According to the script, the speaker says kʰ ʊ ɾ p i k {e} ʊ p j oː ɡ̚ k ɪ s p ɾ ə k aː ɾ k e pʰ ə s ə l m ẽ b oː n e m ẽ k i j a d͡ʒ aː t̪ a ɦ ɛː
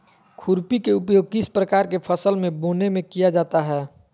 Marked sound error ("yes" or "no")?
no